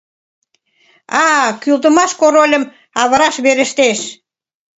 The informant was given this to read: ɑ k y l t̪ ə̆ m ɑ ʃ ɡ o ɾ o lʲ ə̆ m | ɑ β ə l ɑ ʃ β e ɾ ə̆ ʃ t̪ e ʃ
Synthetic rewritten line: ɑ k y l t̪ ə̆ m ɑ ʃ k o ɾ o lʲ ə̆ m | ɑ β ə ɾ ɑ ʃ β e ɾ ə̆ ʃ t̪ e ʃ